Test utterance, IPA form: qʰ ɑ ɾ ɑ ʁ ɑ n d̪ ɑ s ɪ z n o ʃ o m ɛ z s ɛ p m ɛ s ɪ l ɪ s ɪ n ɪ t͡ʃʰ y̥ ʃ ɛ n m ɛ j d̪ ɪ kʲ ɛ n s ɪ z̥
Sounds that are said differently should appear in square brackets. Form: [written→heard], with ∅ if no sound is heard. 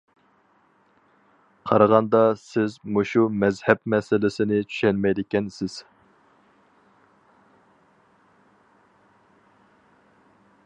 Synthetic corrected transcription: qʰ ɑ ɾ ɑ ʁ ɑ n d̪ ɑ s ɪ z [n→m] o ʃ [o→u] m ɛ z [s→h] ɛ p m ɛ s ɪ l ɪ s ɪ n ɪ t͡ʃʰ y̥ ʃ ɛ n m ɛ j d̪ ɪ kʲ ɛ n s ɪ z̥